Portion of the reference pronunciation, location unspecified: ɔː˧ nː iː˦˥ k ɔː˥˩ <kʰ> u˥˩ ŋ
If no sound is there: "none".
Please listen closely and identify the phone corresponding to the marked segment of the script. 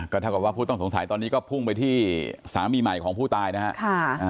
pʰ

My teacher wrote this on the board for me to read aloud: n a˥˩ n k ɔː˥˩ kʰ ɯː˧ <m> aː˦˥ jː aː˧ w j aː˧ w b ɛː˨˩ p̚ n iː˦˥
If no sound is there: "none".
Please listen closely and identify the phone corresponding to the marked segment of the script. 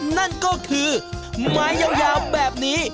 m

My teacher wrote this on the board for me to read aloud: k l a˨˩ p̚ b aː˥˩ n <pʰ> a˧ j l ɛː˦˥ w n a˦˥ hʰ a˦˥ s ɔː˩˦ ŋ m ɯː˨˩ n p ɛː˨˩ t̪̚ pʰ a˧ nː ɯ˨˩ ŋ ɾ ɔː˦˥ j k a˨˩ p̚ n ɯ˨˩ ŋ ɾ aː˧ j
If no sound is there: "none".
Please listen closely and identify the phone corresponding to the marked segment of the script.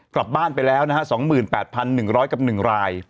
p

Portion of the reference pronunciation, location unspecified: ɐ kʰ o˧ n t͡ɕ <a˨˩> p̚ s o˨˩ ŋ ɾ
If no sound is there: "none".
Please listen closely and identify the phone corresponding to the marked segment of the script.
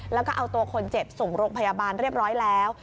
e˨˩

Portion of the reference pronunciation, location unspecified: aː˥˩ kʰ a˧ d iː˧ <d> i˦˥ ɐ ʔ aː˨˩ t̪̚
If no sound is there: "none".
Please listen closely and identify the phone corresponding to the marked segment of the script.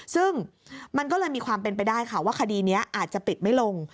n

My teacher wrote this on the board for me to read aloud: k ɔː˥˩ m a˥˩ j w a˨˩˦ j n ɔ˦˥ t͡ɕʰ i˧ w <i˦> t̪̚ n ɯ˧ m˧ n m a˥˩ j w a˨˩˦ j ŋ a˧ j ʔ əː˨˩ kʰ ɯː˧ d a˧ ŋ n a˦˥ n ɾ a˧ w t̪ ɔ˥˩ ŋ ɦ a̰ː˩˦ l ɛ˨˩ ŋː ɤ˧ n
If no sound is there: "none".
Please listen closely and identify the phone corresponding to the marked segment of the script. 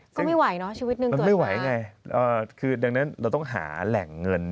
i˦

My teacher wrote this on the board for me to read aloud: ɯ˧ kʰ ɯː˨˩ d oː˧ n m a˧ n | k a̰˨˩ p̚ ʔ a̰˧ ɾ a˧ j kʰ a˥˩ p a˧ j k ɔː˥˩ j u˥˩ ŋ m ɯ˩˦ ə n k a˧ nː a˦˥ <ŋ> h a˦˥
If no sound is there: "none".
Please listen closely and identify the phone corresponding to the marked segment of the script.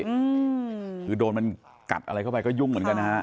none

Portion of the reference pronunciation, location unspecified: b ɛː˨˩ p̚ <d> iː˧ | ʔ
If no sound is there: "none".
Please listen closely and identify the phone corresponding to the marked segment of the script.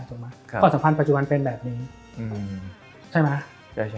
n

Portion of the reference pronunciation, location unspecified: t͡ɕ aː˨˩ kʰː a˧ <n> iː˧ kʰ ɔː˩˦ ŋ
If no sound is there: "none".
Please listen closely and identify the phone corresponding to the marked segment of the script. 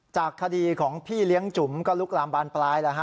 d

